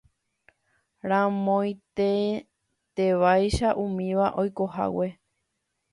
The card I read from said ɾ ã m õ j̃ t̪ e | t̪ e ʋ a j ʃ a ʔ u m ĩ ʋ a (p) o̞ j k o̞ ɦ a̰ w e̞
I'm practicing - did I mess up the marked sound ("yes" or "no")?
yes